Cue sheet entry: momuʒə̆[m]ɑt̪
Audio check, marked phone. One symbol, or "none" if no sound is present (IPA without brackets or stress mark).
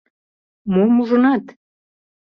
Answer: n